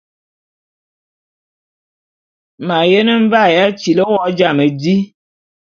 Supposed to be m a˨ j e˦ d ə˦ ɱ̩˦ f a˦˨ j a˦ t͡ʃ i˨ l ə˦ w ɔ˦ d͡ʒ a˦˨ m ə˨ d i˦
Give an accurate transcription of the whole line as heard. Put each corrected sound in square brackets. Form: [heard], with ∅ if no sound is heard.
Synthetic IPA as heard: m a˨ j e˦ [n] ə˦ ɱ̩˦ [v] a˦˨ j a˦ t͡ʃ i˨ l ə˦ w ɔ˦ d͡ʒ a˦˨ m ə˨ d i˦